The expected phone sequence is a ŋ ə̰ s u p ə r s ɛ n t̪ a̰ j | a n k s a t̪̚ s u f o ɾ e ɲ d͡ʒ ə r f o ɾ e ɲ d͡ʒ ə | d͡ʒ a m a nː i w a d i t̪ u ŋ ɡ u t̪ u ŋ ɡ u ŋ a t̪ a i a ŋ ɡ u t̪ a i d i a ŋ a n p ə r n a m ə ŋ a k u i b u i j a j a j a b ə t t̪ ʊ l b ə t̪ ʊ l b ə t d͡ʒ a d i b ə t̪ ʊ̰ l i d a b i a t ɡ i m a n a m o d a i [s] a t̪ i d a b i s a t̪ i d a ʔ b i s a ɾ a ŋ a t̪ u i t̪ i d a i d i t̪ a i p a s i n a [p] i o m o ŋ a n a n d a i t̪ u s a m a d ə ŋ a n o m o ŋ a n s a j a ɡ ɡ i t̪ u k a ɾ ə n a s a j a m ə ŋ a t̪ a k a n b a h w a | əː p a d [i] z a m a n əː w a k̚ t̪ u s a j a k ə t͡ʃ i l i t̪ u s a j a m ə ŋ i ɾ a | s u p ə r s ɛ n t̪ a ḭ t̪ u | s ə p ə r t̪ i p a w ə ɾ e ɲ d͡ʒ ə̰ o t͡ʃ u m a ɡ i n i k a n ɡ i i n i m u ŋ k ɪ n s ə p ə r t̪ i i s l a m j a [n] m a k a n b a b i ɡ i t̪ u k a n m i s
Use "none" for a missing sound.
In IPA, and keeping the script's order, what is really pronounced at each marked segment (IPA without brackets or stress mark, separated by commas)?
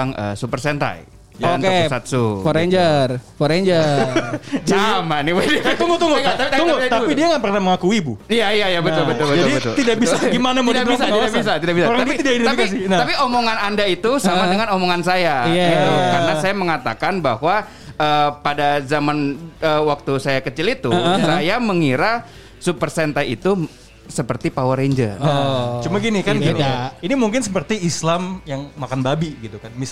s, p, a, ŋ